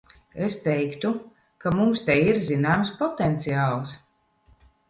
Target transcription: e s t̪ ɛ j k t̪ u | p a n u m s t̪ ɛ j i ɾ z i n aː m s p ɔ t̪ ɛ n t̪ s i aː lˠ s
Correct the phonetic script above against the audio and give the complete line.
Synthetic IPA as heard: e s t̪ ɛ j k t̪ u | k a m u m s t̪ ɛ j i ɾ z i n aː m s p ɔ t̪ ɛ n t̪ s i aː lˠ s